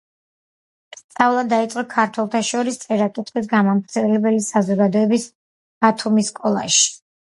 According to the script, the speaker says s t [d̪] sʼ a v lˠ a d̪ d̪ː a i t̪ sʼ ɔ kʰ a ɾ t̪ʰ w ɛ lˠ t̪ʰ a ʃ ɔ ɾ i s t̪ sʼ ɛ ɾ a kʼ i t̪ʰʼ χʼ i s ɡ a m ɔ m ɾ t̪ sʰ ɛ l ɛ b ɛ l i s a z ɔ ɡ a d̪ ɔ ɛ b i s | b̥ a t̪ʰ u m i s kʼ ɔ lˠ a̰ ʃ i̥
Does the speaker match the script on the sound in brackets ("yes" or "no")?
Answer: no